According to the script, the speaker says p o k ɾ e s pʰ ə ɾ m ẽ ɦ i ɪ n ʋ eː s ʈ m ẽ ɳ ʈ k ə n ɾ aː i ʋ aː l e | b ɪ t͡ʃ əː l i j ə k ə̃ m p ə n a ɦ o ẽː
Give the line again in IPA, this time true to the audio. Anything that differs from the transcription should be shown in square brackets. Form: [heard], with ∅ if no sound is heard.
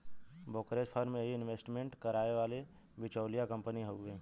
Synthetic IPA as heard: [b] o k ɾ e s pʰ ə ɾ m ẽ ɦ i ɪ n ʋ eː s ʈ m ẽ ɳ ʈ k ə [∅] ɾ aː [e] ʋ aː l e | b ɪ t͡ʃ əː l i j [a] k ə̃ m p ə n [i] ɦ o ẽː